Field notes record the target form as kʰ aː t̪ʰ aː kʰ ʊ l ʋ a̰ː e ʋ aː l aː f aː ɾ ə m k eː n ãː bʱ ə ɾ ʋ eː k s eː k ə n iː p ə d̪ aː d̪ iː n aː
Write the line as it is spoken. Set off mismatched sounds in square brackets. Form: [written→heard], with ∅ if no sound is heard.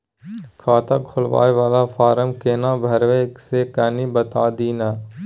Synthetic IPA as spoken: kʰ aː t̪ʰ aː kʰ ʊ l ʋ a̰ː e ʋ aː l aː f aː ɾ ə m k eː n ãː bʱ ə ɾ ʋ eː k s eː k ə n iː [p→b] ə [d̪→t̪] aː d̪ iː n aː